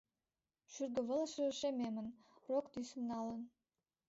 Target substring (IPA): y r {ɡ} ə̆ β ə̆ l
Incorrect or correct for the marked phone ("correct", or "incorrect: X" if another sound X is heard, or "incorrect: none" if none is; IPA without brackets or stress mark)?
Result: correct